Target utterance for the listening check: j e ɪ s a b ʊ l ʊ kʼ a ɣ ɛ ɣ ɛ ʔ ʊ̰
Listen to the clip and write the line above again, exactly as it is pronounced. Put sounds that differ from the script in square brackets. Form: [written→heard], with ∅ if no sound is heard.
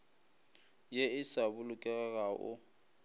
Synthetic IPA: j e ɪ s a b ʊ l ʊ kʼ [a→ɛ] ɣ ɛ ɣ [ɛ→a] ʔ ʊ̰